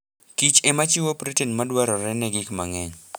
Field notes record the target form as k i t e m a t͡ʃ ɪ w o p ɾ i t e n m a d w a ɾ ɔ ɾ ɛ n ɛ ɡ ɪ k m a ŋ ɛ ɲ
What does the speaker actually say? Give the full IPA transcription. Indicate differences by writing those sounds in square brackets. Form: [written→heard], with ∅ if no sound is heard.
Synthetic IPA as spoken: k i [t→t͡ʃ] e m a t͡ʃ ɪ w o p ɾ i t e n m a d w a ɾ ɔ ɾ ɛ n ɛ ɡ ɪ k m a ŋ ɛ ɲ